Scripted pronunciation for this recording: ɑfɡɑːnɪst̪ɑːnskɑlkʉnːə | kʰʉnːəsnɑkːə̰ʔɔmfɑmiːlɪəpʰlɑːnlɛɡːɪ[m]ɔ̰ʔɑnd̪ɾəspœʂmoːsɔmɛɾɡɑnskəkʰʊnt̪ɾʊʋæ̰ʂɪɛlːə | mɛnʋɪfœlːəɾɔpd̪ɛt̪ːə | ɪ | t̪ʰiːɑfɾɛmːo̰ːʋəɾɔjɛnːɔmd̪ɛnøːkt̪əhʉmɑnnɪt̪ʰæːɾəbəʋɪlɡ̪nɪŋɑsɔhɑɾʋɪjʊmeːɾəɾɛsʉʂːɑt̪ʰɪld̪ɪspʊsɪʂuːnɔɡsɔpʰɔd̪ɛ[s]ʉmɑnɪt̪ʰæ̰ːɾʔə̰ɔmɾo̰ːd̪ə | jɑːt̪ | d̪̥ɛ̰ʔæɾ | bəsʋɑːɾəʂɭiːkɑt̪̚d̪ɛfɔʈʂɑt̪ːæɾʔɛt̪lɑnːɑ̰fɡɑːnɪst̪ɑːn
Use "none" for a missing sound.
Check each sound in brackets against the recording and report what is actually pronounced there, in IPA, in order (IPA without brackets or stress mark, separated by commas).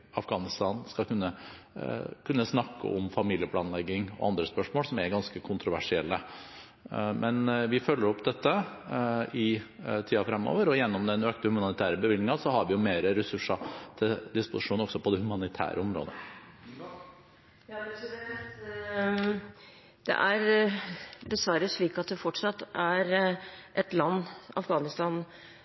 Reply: ŋ, h